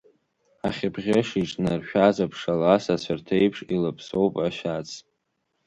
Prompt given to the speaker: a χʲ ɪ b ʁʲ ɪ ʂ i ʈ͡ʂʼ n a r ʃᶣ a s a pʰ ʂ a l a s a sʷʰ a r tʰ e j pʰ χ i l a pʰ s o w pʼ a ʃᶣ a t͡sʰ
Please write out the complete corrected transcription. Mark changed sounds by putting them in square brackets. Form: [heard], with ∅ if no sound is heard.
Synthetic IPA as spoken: a χʲ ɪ b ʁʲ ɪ ʂ i ʈ͡ʂʼ n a r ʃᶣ a [z] a pʰ ʂ a l a s a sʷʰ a r tʰ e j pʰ [ʂ] i l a pʰ s o w pʼ a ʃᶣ a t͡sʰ